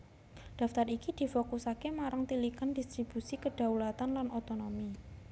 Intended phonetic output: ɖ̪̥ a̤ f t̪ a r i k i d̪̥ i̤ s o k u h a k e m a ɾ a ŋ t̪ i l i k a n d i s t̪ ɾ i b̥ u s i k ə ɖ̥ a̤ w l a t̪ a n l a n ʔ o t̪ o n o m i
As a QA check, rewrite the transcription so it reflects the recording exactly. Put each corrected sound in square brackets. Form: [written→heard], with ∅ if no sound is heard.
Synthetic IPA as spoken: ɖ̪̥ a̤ f t̪ a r i k i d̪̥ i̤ [s→f] o k u [h→s] a k e m a ɾ a ŋ t̪ i l i k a n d i s t̪ ɾ i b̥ u s i k ə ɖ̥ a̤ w l a t̪ a n l a n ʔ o t̪ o n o m i